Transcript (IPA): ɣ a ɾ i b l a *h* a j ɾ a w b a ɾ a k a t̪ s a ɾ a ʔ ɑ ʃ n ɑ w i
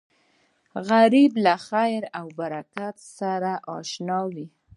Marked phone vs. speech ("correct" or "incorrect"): incorrect